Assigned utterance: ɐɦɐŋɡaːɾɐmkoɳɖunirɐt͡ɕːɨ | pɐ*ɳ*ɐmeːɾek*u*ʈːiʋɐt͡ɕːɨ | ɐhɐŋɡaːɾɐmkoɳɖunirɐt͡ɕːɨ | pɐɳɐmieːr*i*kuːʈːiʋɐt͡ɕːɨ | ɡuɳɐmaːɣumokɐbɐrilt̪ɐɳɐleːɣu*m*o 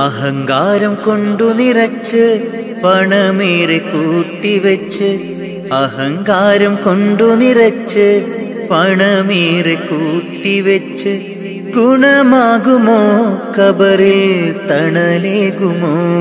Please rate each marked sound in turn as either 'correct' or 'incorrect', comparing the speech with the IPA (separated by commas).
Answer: correct, incorrect, incorrect, correct